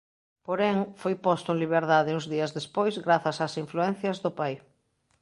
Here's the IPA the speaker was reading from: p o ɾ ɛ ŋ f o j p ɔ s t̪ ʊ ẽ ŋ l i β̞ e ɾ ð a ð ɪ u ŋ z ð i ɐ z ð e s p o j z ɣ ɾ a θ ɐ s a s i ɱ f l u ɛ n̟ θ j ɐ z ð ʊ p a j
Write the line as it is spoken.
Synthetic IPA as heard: p o ɾ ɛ ŋ f o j p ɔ s t̪ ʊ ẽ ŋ l i β̞ e ɾ ð a ð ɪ u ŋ z ð i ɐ z ð e s p o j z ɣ ɾ a θ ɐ s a s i ɱ f l u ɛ n̟ θ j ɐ z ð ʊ p a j